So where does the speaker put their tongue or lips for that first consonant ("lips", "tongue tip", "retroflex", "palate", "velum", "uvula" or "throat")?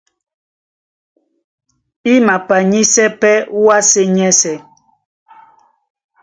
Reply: lips